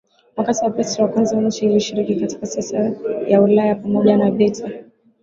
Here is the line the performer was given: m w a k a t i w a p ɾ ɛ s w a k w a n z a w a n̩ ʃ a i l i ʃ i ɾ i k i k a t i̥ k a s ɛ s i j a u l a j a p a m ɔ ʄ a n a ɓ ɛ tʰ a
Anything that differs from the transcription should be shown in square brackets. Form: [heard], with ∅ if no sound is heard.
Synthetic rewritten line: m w a k a t i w a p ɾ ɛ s w a k w a n z a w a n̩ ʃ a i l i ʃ i ɾ i k i k a t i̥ k a s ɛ s [a] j a u l a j a p a m ɔ ʄ a n a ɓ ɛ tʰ a